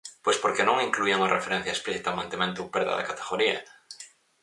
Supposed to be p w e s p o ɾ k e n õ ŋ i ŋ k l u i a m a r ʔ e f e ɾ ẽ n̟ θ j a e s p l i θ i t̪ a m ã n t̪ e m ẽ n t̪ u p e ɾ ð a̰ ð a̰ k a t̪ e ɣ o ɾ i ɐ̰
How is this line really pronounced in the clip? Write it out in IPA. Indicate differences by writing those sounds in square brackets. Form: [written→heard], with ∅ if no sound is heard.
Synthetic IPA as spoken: p w e s p o ɾ k e n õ ŋ i ŋ k l u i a [m→ŋ] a r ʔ e f e ɾ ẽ n̟ θ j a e s p l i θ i t̪ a m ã n t̪ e m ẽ n t̪ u p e ɾ ð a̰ ð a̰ k a t̪ e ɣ o ɾ i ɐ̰